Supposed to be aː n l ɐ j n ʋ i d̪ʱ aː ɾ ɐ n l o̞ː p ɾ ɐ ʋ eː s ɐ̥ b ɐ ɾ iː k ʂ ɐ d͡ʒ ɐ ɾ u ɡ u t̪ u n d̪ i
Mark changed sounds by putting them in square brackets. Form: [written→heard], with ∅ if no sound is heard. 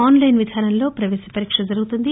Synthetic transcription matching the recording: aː n l ɐ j n ʋ i d̪ʱ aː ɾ ɐ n l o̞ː p ɾ ɐ ʋ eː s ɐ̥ [b→p] ɐ ɾ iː k ʂ ɐ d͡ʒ ɐ ɾ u ɡ u t̪ u n d̪ i